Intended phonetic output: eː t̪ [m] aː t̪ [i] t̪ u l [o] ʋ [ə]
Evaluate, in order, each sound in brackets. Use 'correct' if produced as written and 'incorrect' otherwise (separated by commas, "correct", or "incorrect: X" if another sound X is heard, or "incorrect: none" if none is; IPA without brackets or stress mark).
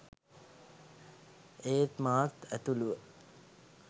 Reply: correct, incorrect: æ, incorrect: u, correct